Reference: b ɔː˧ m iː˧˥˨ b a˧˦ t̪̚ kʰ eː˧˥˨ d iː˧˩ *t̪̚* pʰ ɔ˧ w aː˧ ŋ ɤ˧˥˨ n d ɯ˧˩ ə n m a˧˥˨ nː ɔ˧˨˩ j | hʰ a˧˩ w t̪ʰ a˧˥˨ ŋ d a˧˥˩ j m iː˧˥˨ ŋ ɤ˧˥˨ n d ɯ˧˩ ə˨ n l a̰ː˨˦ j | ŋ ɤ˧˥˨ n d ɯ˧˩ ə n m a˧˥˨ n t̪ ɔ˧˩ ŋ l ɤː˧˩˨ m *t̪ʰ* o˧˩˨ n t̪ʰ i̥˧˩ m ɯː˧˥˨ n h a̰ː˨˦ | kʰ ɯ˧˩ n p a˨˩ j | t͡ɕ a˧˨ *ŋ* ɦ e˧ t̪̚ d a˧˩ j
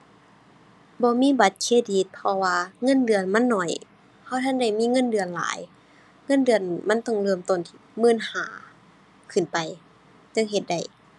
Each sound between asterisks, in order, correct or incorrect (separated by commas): correct, incorrect, correct